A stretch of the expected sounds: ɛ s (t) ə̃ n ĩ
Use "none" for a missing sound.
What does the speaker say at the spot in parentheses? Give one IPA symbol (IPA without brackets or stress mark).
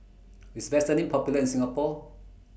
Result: t